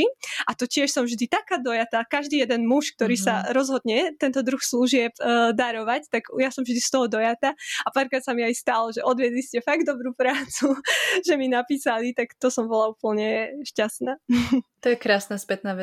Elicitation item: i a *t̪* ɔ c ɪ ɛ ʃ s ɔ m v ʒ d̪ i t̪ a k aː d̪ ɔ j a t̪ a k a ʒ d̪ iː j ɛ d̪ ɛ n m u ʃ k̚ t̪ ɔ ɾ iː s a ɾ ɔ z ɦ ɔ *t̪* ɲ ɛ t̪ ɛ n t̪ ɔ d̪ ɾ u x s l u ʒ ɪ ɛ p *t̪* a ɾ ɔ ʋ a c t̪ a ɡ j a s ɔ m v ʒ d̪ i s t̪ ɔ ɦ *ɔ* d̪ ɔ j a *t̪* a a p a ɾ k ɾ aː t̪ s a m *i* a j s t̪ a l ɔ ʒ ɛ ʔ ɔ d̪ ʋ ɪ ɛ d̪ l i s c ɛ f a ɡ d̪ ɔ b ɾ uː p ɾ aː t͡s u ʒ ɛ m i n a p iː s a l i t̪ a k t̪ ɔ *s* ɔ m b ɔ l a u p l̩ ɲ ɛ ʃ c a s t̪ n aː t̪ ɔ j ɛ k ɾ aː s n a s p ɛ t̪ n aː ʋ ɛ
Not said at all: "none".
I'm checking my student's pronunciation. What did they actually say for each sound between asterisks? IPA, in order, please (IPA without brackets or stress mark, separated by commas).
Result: t̪, d̪, d̪, ɔ, t̪, i, s